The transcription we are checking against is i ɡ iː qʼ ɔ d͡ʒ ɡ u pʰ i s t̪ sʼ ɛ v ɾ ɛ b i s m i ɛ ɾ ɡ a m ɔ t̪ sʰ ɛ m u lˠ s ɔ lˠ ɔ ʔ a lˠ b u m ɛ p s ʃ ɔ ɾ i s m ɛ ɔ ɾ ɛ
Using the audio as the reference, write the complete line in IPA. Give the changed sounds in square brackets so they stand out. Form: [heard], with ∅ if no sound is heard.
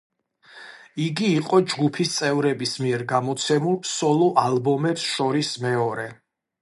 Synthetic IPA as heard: i ɡ iː qʼ ɔ d͡ʒ ɡ u pʰ i s t̪ sʼ ɛ v ɾ ɛ b i s m i ɛ ɾ ɡ a m ɔ t̪ sʰ ɛ m u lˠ s ɔ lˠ ɔ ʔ a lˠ b [ɔ] m ɛ p s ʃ ɔ ɾ i s m ɛ ɔ ɾ ɛ